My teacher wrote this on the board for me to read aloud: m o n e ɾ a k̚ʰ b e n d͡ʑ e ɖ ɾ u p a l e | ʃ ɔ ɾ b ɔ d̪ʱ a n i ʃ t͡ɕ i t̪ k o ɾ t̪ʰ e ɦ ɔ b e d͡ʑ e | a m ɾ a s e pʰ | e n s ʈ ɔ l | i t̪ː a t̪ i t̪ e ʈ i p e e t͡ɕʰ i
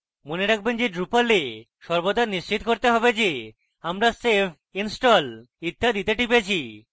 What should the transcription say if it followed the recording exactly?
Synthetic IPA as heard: m o n e ɾ a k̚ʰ b e n d͡ʑ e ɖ ɾ u p a l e | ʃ ɔ ɾ b o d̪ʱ a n i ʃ t͡ɕ i t̪ k o ɾ t̪ e ɦ ɔ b e d͡ʑ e | a m ɾ a s e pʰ | i n s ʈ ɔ l | i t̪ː a d̪ i t̪ e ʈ i p e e t͡ɕʰ i